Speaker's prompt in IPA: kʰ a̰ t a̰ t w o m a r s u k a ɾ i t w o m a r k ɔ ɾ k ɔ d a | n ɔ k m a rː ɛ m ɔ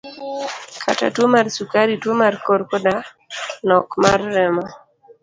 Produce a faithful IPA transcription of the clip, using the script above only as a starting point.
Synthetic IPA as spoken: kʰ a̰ t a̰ t w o m a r s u k a ɾ i t w o m a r k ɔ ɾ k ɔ d a | n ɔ k m a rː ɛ m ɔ